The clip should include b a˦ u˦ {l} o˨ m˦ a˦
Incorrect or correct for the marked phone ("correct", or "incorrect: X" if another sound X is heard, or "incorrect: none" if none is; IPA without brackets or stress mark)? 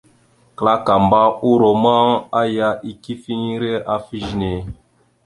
incorrect: ɾ